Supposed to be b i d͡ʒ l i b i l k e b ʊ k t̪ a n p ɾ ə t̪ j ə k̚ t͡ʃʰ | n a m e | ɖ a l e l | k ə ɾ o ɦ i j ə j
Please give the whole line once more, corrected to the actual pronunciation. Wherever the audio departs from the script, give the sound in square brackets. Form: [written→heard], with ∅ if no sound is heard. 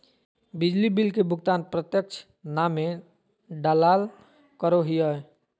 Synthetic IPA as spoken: b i d͡ʒ l i b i l k e b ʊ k t̪ a n p ɾ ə t̪ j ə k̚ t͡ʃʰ | n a m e | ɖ a l [e→a] l | k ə ɾ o ɦ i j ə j